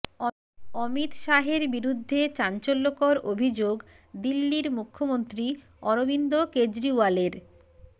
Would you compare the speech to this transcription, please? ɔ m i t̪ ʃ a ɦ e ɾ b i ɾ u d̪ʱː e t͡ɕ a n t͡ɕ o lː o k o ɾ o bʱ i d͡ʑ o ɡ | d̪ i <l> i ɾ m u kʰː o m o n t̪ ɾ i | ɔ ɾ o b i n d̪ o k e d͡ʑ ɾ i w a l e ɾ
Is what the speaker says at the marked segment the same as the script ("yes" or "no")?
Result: no